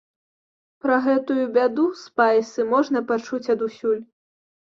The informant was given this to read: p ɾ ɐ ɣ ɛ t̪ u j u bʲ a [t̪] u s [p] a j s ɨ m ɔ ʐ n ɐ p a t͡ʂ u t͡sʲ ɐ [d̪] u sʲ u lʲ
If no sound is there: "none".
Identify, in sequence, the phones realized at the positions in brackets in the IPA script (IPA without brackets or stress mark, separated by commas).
d̪, p, d̪